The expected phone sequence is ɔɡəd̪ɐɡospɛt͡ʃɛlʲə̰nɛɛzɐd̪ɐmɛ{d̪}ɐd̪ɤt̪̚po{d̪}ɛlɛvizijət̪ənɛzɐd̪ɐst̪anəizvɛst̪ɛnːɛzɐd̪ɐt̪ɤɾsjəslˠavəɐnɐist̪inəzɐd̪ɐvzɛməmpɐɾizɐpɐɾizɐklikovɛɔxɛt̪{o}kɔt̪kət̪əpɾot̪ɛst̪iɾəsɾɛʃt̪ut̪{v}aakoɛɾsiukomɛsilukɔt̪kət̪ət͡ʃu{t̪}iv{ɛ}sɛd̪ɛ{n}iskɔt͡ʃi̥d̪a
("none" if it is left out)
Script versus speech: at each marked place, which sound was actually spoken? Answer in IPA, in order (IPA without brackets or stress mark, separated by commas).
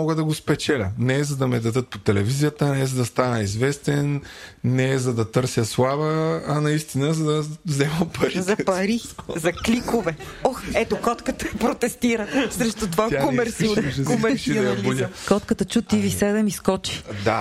d̪, t̪, o, v, t̪, i, m